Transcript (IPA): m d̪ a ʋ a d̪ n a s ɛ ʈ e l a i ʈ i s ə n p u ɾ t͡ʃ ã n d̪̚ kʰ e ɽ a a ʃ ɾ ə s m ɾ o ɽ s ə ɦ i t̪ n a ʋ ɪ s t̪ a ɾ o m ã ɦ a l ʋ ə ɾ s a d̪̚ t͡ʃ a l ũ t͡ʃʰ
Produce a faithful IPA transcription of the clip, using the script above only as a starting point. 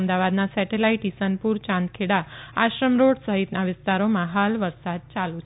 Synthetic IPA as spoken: m d̪ a ʋ a d̪ n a s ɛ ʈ e l a i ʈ i s ə n p u ɾ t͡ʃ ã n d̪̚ kʰ e ɽ a a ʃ ɾ ə m ɾ o ɽ s ə ɦ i t̪ n a ʋ ɪ s t̪ a ɾ o m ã ɦ a l ʋ ə ɾ s a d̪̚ t͡ʃ a l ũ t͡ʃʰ

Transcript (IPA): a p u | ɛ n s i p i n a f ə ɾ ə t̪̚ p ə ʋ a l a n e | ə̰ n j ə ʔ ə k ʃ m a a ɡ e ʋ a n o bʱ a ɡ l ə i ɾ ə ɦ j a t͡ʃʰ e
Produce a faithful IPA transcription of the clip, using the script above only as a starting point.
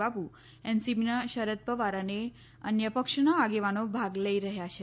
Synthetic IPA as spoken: a p u | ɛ n s i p i n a ʃ ə ɾ ə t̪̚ p ə ʋ a ɾ a n e | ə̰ n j ə p ə k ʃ n a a ɡ e ʋ a n o bʱ a ɡ l ə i ɾ ə ɦ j a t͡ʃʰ e

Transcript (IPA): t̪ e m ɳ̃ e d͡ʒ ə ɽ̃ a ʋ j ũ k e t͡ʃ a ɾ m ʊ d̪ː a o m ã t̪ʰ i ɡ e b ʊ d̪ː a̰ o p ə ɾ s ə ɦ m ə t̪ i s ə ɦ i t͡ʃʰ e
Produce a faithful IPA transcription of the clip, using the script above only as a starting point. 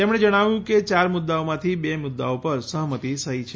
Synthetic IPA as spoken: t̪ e m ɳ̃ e d͡ʒ ə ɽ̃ a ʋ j ũ k e t͡ʃ a ɾ m ʊ d̪ː a o m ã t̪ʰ i b e m ʊ d̪ː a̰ o p ə ɾ s ə ɦ m ə t̪ i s ə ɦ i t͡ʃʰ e

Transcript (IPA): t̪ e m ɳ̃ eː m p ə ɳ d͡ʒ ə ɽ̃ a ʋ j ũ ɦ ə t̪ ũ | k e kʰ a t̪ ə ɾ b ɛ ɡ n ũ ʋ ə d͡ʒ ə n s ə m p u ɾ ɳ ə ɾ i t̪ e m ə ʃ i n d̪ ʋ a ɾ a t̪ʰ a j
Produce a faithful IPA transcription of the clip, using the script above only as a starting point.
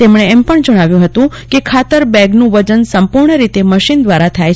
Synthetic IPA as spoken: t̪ e m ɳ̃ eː m p ə ɳ d͡ʒ ə ɽ̃ a ʋ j ũ ɦ ə t̪ ũ | k e kʰ a t̪ ə ɾ b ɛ ɡ n ũ ʋ ə d͡ʒ ə n s ə m p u ɾ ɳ ə ɾ i t̪ e m ə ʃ i n d̪ ʋ a ɾ a t̪ʰ a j

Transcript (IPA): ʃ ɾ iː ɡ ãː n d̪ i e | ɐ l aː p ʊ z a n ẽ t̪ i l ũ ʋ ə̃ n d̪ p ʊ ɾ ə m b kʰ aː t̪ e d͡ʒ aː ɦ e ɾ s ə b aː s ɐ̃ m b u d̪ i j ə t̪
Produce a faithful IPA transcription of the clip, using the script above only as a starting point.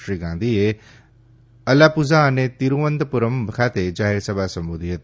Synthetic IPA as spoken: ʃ ɾ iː ɡ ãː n d̪ i e | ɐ l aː p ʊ z a n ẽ t̪ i ɾ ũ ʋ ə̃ n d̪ p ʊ ɾ ə m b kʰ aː t̪ e d͡ʒ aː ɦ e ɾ s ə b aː s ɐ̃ m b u d̪ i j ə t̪

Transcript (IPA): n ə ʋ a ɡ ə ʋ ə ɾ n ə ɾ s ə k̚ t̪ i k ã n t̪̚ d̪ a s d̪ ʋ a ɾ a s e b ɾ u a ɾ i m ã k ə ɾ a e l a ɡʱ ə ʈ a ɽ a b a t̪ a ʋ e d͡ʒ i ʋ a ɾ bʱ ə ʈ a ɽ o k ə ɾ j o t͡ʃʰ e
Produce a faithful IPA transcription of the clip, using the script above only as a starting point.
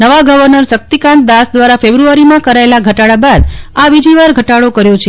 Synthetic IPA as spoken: n ə ʋ a ɡ ə ʋ ə ɾ n ə ɾ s ə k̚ t̪ i k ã n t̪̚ d̪ a s d̪ ʋ a ɾ a f e b ɾ u a ɾ i m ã k ə ɾ a e l a ɡʱ ə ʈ a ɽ a b a d̪ a ʋ i d͡ʒ i ʋ a ɾ ɡʱ ə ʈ a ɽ o k ə ɾ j o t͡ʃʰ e

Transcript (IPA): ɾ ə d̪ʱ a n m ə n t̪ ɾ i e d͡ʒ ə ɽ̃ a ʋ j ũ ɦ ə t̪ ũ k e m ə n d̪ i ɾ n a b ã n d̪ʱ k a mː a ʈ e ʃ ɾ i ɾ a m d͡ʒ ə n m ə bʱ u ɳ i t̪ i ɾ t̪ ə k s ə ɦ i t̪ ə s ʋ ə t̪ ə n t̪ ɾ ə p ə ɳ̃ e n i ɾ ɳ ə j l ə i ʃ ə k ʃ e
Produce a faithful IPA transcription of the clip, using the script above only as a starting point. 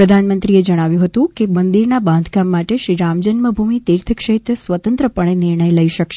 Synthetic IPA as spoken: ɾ ə d̪ʱ a n m ə n t̪ ɾ i e d͡ʒ ə ɽ̃ a ʋ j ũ ɦ ə t̪ ũ k e m ə n d̪ i ɾ n a b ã n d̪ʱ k a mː a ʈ e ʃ ɾ i ɾ a m d͡ʒ ə n m ə bʱ u m i t̪ i ɾ t̪ʰ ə k ʃ ə ɦ i t̪ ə s ʋ ə t̪ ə n t̪ ɾ ə p ə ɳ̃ e n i ɾ ɳ ə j l ə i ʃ ə k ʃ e

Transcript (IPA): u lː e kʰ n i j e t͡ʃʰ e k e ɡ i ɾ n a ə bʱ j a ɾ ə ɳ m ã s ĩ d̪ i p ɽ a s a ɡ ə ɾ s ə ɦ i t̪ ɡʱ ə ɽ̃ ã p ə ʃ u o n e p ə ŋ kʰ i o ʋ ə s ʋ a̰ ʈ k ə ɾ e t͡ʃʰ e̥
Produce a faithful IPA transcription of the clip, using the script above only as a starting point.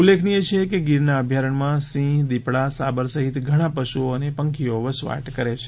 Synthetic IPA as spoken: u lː e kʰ n i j e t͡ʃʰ e k e ɡ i ɾ n a ə bʱ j a ɾ ə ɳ m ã s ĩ d̪ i p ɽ a s a b ə ɾ s ə ɦ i t̪ ɡʱ ə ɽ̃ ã p ə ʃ u o n e p ə ŋ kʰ i o ʋ ə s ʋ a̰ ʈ k ə ɾ e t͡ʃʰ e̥

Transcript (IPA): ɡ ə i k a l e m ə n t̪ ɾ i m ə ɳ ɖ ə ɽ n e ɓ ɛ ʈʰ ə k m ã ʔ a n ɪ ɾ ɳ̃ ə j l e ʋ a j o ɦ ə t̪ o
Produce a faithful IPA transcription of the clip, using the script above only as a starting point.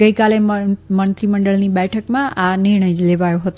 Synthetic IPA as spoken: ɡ ə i k a l e m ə n t̪ ɾ i m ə ɳ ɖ ə ɭ n i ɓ ɛ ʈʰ ə k m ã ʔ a n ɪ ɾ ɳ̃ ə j l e ʋ a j o ɦ ə t̪ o

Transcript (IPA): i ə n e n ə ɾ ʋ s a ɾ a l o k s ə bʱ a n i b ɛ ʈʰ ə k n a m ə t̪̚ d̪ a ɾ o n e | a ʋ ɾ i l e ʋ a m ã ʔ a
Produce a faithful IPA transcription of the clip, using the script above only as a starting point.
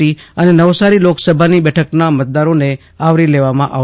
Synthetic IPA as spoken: i ə n e n ə ʋ s a ɾ i l o k s ə bʱ a n i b ɛ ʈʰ ə k n a m ə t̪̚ d̪ a ɾ o n e | a ʋ ɾ i l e ʋ a m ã ʔ a

